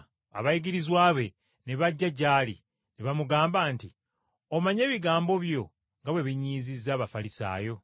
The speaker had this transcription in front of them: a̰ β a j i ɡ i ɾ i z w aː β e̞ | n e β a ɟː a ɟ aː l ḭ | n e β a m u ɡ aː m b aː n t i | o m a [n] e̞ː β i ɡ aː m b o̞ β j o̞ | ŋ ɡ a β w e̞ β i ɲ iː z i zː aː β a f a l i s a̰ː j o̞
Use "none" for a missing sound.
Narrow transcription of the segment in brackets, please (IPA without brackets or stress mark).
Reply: ɲ